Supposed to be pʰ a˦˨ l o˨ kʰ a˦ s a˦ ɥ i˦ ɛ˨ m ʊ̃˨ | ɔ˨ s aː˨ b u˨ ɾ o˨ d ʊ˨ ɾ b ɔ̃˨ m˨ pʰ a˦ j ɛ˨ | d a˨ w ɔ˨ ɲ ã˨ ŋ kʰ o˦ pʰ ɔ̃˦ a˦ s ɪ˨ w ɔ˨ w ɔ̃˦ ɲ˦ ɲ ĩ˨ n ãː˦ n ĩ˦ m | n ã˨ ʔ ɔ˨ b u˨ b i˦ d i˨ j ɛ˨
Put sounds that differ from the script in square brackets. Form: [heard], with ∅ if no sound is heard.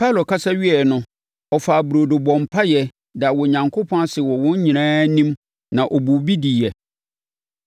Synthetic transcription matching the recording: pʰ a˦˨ l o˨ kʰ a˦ s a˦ ɥ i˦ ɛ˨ [n] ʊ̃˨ | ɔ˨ [f] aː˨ b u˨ ɾ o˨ d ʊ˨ [∅] b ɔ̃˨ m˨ pʰ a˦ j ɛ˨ | d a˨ w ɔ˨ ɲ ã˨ ŋ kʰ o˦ pʰ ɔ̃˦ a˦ s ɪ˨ w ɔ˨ w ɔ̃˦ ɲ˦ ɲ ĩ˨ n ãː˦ n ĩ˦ m | n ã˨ ʔ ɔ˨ b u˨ b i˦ d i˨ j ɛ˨